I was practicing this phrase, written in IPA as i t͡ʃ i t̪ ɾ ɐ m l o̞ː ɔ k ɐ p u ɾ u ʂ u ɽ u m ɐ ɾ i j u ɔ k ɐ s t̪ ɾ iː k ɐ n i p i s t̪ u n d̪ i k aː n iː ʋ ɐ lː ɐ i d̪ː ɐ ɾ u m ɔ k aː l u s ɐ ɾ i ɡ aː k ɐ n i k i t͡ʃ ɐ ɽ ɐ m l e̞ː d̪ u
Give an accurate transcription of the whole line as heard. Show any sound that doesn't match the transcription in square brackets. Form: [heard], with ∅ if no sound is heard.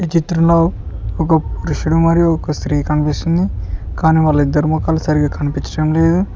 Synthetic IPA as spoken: i t͡ʃ i t̪ ɾ ɐ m l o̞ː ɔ k ɐ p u ɾ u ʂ u ɽ u m ɐ ɾ i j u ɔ k ɐ s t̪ ɾ iː k ɐ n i p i s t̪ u n d̪ i k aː n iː ʋ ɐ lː ɐ i d̪ː ɐ ɾ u m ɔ k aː l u s ɐ ɾ i ɡ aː k ɐ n i [p] i t͡ʃ ɐ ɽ ɐ m l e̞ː d̪ u